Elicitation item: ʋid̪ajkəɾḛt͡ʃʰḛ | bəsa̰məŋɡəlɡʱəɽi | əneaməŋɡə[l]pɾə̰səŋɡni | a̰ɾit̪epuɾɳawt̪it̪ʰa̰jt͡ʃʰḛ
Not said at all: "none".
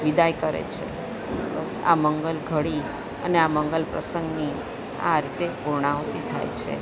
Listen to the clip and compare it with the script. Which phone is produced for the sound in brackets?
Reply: l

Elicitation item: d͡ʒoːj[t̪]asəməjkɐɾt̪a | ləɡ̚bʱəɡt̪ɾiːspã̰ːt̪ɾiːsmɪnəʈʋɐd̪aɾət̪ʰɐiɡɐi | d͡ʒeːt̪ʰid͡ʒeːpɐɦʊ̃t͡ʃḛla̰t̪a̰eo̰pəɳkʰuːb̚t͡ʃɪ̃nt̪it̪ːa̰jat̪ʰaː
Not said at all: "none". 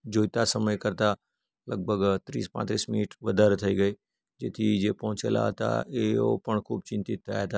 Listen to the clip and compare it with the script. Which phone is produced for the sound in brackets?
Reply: t̪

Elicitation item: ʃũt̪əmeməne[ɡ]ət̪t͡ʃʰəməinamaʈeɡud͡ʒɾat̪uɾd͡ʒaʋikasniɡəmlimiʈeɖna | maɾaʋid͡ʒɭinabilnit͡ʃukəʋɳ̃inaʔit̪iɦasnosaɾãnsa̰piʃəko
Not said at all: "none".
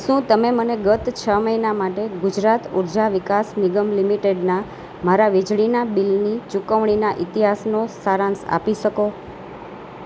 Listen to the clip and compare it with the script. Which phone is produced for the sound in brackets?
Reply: ɡ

